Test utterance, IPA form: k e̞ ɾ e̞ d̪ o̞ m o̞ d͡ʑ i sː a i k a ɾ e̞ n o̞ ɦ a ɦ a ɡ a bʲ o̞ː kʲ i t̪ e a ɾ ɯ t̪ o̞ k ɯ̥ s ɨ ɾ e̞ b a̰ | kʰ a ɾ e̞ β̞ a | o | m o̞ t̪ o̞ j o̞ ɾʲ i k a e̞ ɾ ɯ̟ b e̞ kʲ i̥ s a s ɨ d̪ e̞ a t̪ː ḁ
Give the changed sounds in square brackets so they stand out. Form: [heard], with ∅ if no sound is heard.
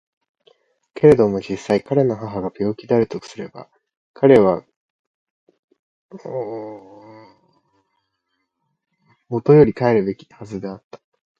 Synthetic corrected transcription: k e̞ ɾ e̞ d̪ o̞ m o̞ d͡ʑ i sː a i k a ɾ e̞ n o̞ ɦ a ɦ a ɡ a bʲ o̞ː kʲ i [d̪] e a ɾ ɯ t̪ o̞ k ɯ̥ s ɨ ɾ e̞ b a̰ | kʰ a ɾ e̞ β̞ a | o | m o̞ t̪ o̞ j o̞ ɾʲ i k a e̞ ɾ ɯ̟ b e̞ kʲ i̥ [h] a [z] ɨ d̪ e̞ a t̪ː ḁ